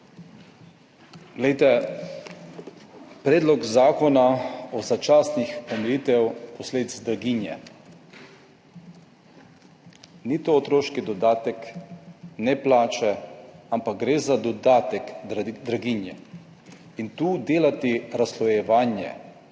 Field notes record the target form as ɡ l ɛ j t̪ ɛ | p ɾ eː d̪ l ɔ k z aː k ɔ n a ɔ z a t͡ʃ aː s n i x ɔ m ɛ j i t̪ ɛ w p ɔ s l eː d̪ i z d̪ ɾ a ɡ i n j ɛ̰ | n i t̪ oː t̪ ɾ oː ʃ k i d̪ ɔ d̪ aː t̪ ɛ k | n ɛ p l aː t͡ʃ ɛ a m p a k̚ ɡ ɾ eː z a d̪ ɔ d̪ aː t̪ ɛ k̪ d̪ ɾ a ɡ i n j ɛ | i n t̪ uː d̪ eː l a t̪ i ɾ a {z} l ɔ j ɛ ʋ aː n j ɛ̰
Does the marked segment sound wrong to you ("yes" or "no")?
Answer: yes